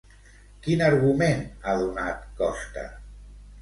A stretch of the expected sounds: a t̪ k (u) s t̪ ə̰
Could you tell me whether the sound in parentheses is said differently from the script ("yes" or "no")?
yes